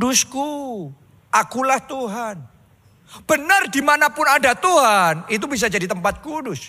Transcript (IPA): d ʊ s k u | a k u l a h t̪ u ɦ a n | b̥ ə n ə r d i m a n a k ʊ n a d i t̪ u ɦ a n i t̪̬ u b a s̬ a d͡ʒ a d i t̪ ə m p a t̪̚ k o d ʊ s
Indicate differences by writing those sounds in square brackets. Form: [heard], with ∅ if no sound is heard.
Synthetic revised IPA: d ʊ s k u | a k u l a h t̪ u ɦ a n | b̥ ə n ə r d i m a n a [p] ʊ n a d [a] t̪ u ɦ a n i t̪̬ u b [i] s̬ a d͡ʒ a d i t̪ ə m p a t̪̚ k [u] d ʊ s